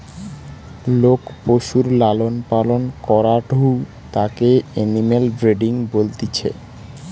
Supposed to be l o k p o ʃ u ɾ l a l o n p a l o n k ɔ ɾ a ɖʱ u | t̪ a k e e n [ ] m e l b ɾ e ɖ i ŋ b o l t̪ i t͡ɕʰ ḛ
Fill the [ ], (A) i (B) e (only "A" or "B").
A